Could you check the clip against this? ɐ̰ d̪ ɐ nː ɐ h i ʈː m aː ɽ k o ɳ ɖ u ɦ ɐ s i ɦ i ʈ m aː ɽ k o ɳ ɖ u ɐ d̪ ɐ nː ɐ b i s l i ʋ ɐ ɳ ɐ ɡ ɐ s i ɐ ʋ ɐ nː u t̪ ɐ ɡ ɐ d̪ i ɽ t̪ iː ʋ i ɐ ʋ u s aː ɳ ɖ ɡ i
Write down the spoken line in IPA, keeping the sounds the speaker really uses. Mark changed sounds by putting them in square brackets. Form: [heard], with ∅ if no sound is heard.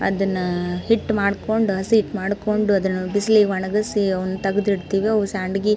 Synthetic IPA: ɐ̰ d̪ ɐ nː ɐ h i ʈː m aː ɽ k o ɳ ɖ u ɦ ɐ s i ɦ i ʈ m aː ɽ k o ɳ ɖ u ɐ d̪ ɐ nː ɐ b i s l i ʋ ɐ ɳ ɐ ɡ ɐ s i ɐ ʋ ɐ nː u t̪ ɐ ɡ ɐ d̪ i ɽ t̪ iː ʋ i ɐ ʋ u s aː ɳ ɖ ɡ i